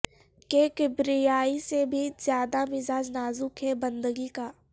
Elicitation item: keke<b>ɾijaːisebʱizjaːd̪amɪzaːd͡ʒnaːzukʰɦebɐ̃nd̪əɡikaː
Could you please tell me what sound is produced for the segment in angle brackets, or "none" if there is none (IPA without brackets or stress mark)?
b